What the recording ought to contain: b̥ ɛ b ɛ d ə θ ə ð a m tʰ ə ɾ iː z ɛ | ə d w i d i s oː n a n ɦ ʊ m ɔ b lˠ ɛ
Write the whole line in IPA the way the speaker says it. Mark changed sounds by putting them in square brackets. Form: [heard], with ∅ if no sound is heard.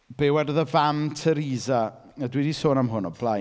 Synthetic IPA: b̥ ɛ [w] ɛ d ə [ð] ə [v] a m tʰ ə ɾ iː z [a] | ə d w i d i s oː n a [m] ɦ ʊ [n] ɔ b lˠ [a]